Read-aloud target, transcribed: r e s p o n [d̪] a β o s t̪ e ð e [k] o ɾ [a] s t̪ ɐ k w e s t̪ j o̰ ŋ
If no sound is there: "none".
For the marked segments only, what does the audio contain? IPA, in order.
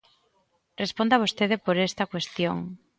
d̪, p, e

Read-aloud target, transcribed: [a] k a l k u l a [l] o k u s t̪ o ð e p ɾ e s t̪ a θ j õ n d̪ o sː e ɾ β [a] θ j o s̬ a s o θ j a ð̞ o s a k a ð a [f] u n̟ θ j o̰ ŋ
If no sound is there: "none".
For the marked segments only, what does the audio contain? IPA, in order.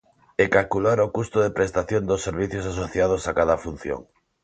e, ɾ, i, f

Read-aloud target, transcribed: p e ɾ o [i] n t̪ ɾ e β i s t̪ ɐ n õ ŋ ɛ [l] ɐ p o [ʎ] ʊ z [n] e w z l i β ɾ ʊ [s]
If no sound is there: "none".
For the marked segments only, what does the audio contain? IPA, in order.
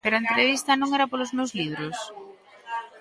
e, ɾ, l, m, s

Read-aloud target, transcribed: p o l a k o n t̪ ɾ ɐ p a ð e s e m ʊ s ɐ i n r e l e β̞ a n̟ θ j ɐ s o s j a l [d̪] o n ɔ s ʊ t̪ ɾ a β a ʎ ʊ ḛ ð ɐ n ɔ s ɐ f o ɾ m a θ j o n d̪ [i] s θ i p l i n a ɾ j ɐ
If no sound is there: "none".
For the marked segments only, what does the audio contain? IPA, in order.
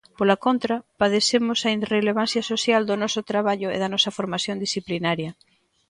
d̪, i

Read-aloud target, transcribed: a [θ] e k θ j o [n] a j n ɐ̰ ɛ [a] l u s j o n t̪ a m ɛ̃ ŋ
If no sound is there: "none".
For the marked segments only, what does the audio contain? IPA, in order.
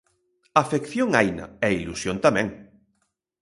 f, ŋ, i

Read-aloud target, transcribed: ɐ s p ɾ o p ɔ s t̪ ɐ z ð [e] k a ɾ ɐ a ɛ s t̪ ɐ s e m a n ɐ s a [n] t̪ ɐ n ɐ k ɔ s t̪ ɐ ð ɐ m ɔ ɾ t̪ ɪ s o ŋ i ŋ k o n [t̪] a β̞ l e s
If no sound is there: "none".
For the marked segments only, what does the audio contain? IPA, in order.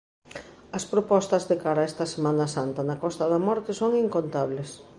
e, n, t̪

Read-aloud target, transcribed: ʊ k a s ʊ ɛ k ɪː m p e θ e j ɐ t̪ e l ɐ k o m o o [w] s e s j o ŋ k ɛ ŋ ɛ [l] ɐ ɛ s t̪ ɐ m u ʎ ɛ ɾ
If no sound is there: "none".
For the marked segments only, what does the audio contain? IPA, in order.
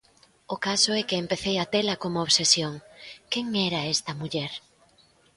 β, ɾ

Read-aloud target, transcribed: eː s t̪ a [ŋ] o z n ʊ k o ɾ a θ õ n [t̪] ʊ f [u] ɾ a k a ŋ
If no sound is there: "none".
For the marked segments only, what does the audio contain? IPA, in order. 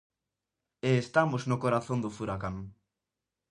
m, d̪, u

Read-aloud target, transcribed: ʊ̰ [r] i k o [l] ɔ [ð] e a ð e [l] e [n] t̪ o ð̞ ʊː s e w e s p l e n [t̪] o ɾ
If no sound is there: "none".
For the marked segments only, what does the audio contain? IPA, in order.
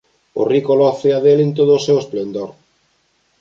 r, l, θ, l, n, d̪

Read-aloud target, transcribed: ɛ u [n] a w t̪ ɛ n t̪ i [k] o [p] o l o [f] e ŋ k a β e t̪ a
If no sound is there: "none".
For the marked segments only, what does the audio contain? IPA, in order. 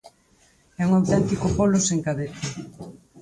ŋ, k, p, s

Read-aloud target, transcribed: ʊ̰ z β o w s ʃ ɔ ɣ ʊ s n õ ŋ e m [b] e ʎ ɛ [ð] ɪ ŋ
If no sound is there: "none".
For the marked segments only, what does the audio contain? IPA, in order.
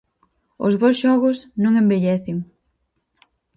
b, θ

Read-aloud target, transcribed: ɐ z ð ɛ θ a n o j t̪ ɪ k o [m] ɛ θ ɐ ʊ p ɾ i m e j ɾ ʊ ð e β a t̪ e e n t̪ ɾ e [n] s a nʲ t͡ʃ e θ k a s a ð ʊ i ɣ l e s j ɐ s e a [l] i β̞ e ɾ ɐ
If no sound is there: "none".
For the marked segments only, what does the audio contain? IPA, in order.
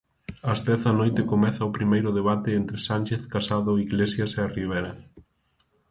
m, none, r

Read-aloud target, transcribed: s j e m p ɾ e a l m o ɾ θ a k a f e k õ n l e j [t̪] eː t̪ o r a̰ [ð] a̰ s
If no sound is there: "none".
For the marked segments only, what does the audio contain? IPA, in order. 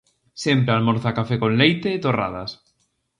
t̪, ð

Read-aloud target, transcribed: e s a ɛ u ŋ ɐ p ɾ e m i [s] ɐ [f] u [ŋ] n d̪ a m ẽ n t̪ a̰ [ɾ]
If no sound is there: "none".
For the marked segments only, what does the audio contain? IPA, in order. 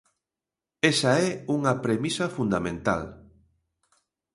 s, f, none, l

